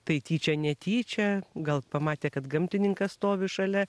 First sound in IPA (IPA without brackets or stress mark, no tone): t̪